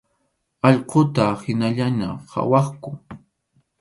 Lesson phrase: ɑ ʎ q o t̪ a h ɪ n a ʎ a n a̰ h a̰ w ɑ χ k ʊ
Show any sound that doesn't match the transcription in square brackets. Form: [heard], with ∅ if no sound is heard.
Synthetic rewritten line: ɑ ʎ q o t̪ a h ɪ n a ʎ a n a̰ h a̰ w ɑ χ k ʊ